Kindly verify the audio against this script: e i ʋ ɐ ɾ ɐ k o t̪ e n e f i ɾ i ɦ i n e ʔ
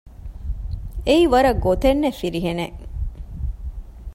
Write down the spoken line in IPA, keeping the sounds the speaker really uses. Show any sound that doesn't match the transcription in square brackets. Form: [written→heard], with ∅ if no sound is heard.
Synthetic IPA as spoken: e i ʋ ɐ ɾ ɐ [k→ɡ] o t̪ e [n→nː] e f i ɾ i ɦ [i→e] n e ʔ

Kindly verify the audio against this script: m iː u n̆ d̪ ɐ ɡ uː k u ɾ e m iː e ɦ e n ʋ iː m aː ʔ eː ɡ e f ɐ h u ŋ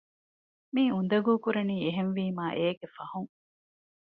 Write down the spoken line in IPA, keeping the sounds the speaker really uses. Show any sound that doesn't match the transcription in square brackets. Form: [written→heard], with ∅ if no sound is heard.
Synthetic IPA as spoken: m iː u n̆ d̪ ɐ ɡ uː k u ɾ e [m→n] iː e ɦ e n ʋ iː m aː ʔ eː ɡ e f ɐ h u ŋ

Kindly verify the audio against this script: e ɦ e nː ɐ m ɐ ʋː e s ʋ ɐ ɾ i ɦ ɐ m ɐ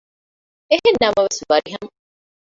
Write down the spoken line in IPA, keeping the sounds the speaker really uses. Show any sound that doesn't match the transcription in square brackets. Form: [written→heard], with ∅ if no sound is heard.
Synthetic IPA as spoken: e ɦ e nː ɐ m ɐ [ʋː→ʋ] e s ʋ ɐ ɾ i ɦ ɐ m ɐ

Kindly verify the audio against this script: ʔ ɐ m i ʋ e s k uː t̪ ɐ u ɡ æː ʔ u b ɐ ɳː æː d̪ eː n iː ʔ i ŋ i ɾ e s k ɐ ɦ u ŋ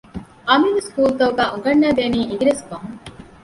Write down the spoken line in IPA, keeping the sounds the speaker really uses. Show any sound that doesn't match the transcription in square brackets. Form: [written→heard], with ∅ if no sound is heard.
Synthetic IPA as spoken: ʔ ɐ m i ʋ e s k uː t̪ ɐ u ɡ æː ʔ u [b→ɡ] ɐ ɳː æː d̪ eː n iː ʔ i [ŋ→ɡ] i ɾ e s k ɐ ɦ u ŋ

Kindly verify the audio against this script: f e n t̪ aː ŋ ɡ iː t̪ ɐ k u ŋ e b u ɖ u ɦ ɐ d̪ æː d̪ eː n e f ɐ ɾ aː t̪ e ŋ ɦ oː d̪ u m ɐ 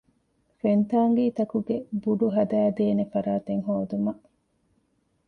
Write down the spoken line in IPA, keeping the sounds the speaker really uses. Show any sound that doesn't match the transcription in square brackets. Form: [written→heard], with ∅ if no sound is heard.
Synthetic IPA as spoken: f e n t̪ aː ŋ ɡ iː t̪ ɐ k u [ŋ→ɡ] e b u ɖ u ɦ ɐ d̪ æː d̪ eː n e f ɐ ɾ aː t̪ e ŋ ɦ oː d̪ u m ɐ

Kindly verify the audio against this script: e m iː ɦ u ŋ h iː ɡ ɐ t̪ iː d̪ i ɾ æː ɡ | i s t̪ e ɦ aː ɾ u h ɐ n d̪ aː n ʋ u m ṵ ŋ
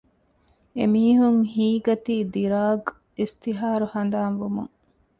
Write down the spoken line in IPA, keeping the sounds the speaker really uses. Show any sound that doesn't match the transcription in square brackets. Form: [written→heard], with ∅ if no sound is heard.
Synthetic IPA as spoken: e m iː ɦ u ŋ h iː ɡ ɐ t̪ iː d̪ i ɾ [æː→aː] ɡ | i s t̪ [e→i] ɦ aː ɾ u h ɐ n d̪ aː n ʋ u m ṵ ŋ

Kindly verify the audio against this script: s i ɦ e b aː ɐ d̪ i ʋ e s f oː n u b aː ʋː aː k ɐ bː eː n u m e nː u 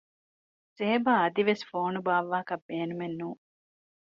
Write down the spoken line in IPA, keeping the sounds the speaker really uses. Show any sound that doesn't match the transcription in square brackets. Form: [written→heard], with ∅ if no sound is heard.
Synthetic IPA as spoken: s [i→e] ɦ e b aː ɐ d̪ i ʋ e s f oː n u b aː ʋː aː k ɐ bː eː n u m e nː [u→uː]

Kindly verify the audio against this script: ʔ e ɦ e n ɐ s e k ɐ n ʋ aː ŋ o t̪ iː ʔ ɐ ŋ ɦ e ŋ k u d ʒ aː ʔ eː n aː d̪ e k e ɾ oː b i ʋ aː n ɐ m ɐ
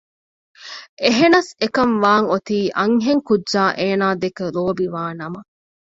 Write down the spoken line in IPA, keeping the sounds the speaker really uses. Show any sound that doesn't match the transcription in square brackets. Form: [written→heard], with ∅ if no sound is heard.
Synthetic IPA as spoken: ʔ e ɦ e n ɐ s e k ɐ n ʋ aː ŋ o t̪ iː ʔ ɐ ŋ ɦ e ŋ k u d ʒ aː ʔ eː n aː d̪ e k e ɾ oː b i ʋ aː n ɐ m ɐ

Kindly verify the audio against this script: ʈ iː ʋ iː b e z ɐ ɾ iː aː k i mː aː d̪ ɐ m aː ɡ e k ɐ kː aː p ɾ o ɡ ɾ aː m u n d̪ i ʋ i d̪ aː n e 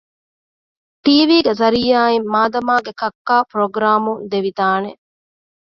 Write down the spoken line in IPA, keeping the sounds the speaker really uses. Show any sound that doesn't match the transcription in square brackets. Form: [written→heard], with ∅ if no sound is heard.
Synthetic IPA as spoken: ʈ iː ʋ iː [b→ɡ] e z ɐ ɾ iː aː [k→∅] i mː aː d̪ ɐ m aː ɡ e k ɐ kː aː p ɾ o ɡ ɾ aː m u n d̪ [i→e] ʋ i d̪ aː n e

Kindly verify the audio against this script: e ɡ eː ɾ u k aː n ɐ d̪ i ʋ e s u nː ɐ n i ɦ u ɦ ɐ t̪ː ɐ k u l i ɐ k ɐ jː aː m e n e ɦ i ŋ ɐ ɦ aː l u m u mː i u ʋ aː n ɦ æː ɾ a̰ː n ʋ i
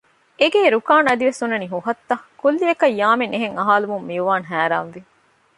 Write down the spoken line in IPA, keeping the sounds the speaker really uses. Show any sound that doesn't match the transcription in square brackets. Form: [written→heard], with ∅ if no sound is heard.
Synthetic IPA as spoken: e ɡ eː ɾ u k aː n ɐ d̪ i ʋ e s u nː ɐ n i ɦ u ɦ ɐ t̪ː ɐ k u [l→lː] i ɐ k ɐ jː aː m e n e ɦ [i→e] ŋ ɐ ɦ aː l u m u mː i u ʋ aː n ɦ æː ɾ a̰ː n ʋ i

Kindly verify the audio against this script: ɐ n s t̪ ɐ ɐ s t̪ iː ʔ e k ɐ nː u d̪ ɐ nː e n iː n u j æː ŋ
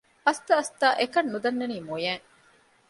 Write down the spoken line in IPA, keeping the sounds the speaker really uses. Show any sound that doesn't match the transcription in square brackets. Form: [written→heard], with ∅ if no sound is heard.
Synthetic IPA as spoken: ɐ [n→∅] s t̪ ɐ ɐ s t̪ [iː→aː] ʔ e k ɐ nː u d̪ ɐ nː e n iː [n→m] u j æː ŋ

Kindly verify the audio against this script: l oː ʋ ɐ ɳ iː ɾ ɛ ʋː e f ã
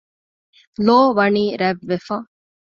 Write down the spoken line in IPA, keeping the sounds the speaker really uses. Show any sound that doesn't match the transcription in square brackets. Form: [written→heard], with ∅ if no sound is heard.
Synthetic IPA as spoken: l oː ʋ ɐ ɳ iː ɾ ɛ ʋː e f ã

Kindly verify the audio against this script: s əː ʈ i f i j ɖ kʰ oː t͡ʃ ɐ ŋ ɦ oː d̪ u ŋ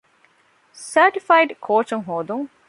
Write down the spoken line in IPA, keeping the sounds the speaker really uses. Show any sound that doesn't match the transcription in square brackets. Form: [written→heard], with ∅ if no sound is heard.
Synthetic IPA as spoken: s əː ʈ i f [i→a] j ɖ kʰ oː t͡ʃ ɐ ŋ ɦ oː d̪ u ŋ

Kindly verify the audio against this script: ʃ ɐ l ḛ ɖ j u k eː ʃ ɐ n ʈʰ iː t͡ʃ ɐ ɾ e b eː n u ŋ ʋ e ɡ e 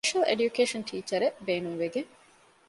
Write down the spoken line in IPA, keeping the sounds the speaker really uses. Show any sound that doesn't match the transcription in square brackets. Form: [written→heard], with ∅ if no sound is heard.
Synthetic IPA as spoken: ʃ ɐ l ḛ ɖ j u k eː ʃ ɐ n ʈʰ iː t͡ʃ ɐ ɾ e b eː n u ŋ ʋ e ɡ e

